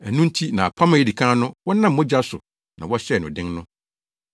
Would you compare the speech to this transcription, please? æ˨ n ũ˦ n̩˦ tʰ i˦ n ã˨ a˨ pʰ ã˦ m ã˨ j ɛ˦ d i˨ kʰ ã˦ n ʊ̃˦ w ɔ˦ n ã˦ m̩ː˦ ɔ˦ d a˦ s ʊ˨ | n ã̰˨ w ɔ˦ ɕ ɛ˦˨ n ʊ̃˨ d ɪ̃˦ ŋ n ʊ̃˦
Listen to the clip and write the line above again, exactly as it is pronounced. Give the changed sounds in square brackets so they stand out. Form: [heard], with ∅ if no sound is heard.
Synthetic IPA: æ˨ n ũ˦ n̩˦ tʰ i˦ n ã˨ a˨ pʰ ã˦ m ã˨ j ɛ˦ d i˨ kʰ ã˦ n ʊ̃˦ w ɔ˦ n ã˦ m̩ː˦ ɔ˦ [d͡ʑ] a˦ s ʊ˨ | n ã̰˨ w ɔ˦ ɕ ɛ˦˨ n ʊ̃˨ d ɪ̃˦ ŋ n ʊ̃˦